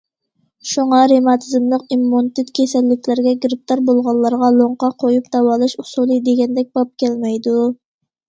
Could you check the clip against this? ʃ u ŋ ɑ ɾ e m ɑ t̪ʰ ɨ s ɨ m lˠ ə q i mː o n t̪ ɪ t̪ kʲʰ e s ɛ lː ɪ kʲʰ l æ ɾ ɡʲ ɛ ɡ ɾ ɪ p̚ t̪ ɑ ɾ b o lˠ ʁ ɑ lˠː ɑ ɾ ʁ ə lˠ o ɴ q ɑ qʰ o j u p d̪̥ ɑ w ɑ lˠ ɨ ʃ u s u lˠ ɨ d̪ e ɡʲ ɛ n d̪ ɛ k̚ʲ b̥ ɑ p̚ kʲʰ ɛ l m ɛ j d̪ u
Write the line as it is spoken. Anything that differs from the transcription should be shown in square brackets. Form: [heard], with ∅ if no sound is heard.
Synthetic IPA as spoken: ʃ u ŋ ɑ ɾ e m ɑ t̪ʰ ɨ [z] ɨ m lˠ ə q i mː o n t̪ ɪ t̪ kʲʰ e s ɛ lː ɪ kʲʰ l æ ɾ ɡʲ ɛ ɡ ɾ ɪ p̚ t̪ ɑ ɾ b o lˠ ʁ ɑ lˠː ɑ ɾ ʁ [ɑ] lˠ o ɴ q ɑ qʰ o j u p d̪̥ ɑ w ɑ lˠ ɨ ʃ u s u lˠ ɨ d̪ e ɡʲ ɛ n d̪ ɛ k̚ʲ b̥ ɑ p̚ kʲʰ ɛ l m ɛ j d̪ u